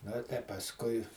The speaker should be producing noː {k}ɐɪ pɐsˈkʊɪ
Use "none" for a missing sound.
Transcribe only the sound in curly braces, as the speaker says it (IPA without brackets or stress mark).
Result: t